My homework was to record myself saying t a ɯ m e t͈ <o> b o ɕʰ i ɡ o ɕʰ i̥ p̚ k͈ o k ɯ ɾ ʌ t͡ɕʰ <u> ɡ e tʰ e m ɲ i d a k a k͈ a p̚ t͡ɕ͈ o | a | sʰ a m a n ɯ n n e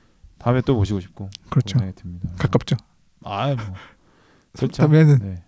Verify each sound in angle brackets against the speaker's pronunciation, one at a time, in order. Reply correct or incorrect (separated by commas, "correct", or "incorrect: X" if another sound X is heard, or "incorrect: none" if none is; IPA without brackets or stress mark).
correct, incorrect: o